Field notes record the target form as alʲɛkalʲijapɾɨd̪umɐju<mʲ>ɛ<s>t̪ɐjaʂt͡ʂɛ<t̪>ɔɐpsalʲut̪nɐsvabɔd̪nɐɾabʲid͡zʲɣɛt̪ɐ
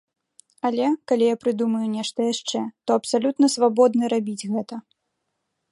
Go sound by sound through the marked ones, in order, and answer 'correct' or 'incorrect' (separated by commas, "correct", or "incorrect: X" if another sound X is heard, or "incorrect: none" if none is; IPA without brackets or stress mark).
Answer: incorrect: nʲ, incorrect: ʂ, correct